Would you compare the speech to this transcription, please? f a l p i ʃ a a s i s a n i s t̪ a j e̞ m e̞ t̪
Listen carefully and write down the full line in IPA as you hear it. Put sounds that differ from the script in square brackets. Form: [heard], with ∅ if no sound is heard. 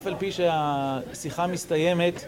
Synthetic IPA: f a l p i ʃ [e] a s i [χ] a [m] i s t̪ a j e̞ m e̞ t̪